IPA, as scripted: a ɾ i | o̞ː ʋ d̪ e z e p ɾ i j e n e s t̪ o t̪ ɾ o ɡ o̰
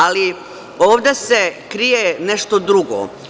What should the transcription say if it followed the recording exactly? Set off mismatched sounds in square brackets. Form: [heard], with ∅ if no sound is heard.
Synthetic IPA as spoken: a [l] i | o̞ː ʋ d̪ e [s] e [k] ɾ i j e n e [ʃ] t̪ o [d̪] ɾ [u] ɡ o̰